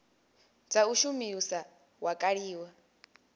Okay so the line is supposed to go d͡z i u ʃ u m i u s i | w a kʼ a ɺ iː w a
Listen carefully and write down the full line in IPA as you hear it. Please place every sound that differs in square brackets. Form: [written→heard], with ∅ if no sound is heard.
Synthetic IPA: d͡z [i→a] u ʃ u m i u s [i→a] | w a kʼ a ɺ iː w a